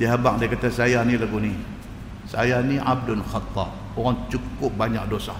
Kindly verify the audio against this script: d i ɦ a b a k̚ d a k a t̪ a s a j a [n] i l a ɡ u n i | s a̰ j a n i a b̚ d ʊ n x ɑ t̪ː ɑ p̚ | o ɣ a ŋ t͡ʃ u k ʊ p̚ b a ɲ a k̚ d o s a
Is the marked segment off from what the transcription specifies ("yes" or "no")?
no